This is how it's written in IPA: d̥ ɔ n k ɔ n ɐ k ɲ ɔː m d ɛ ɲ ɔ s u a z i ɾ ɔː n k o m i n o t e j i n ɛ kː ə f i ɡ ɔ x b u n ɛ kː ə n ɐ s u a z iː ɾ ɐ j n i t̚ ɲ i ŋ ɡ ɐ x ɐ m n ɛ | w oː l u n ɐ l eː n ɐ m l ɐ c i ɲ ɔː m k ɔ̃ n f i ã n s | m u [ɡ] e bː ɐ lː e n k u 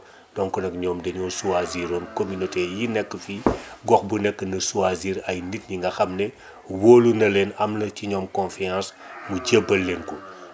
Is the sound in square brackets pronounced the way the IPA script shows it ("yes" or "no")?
no